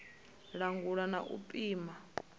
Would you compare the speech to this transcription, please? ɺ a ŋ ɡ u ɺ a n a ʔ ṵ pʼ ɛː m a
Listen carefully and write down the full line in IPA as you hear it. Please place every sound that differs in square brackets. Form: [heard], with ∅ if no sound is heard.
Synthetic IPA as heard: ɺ a ŋ ɡ u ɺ a n a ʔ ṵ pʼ [iː] m a

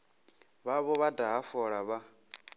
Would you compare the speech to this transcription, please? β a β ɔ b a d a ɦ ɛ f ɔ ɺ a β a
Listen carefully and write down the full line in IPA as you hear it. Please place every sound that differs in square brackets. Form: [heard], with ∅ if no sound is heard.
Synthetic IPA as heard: β a β ɔ [β] a d a ɦ [a] f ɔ ɺ a β a

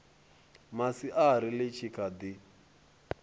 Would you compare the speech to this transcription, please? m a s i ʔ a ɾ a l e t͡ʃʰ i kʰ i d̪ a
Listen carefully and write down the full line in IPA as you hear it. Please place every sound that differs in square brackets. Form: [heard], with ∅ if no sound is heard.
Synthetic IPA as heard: m a s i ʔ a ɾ [i] l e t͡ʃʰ i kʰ [a] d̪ [i]

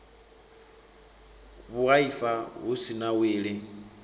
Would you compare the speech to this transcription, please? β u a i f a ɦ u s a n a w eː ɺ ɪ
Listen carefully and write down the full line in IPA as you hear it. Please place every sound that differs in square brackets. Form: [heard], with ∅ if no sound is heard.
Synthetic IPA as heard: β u a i f a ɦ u s [i] n a w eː ɺ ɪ

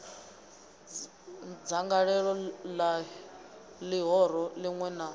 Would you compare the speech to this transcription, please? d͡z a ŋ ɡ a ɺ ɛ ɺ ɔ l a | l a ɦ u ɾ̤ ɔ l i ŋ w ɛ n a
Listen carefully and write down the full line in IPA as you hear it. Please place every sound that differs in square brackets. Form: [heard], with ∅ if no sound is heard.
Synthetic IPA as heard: d͡z a ŋ ɡ a ɺ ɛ ɺ ɔ l a | l [i] ɦ [ɔ] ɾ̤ ɔ l i ŋ w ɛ n a

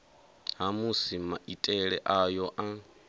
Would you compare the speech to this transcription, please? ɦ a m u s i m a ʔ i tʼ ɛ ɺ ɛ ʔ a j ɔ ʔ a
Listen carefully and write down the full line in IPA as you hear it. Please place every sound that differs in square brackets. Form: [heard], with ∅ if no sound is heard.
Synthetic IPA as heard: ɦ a m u s i m a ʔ i tʼ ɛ ɺ ɛ ʔ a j ɔ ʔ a

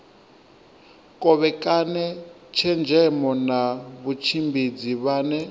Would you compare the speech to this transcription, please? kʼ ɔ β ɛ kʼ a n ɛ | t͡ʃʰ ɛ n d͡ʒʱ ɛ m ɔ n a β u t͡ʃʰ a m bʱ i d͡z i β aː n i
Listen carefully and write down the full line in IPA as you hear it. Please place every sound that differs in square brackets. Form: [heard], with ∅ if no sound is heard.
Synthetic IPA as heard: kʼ ɔ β ɛ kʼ a n ɛ | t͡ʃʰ ɛ n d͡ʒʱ ɛ m ɔ n a β u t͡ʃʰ [i] m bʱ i d͡z i β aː n [ɛ]

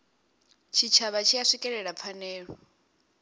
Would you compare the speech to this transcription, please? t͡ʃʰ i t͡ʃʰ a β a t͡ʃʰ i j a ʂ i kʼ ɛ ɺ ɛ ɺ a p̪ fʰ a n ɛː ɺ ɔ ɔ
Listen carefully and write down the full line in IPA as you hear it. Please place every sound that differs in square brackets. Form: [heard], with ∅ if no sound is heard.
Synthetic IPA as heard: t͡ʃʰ i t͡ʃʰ a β a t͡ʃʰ i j a ʂ i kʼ ɛ ɺ ɛ ɺ a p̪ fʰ a n ɛː ɺ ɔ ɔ

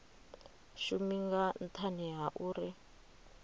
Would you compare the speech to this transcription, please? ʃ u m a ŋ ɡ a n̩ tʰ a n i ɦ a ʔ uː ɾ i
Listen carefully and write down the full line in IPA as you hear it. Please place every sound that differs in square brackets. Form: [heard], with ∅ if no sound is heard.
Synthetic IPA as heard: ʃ u m [i] ŋ ɡ a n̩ tʰ a n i ɦ a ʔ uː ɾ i

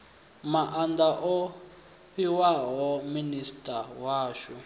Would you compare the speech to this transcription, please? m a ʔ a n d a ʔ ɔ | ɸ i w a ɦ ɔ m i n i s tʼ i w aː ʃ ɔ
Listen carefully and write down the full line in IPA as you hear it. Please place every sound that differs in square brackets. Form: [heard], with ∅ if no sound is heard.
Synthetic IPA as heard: m a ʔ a n d a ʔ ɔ | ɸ i w a ɦ ɔ m i n i s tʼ [a] w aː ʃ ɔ

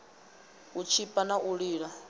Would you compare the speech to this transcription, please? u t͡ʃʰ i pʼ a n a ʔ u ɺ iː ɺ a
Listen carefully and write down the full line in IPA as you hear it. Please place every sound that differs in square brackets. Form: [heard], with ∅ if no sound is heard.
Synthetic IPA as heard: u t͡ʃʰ i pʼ a n a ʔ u ɺ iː ɺ a

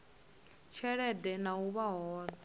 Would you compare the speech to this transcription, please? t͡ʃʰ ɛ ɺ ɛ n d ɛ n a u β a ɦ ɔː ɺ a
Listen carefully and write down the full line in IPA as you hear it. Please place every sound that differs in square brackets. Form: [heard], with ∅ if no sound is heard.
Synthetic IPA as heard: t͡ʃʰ ɛ ɺ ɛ [∅] d ɛ n a u β a ɦ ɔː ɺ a

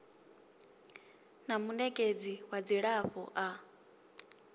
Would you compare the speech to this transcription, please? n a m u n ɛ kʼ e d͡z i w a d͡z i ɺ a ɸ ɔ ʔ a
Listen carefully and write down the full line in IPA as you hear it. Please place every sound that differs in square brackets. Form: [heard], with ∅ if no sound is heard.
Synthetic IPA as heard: n a m u n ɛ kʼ e d͡z i w a d͡z i ɺ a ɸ ɔ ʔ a

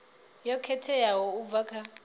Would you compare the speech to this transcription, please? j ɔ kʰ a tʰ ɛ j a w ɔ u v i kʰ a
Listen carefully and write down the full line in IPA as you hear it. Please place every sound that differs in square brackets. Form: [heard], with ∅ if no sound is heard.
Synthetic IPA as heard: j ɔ kʰ [ɛ] tʰ ɛ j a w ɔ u v [a] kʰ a

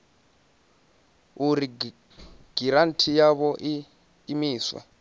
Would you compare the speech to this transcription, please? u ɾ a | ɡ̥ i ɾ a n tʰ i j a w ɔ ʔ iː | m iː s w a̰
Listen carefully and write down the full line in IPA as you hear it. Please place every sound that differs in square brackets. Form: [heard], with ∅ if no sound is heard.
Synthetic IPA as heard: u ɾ [i] | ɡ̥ i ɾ a n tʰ i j a [β] ɔ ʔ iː | m iː s w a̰

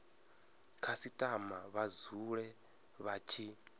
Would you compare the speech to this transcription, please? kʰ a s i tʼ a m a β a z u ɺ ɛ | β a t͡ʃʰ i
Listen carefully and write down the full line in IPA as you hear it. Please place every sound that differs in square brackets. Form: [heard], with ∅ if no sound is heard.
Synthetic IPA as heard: kʰ a s i tʼ a m a β a z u ɺ ɛ | β a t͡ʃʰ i

